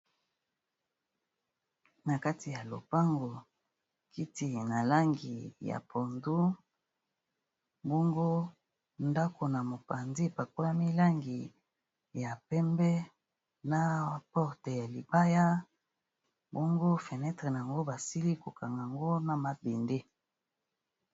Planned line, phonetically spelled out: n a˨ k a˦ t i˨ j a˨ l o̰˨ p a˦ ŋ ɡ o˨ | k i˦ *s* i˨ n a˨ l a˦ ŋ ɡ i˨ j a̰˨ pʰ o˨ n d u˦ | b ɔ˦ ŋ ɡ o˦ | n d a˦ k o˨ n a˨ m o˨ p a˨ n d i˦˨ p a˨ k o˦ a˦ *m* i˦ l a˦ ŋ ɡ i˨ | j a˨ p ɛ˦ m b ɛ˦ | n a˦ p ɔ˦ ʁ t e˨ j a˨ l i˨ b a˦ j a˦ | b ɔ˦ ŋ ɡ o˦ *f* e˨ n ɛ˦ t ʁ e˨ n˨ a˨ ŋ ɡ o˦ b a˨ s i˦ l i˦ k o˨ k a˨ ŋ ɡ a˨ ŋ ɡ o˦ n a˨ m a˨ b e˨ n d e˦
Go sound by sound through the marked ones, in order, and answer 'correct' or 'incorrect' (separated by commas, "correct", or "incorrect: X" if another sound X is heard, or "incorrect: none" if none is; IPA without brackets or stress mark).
incorrect: t, correct, correct